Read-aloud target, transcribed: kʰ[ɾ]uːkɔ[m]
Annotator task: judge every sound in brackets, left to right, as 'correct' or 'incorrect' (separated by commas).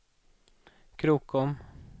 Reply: correct, correct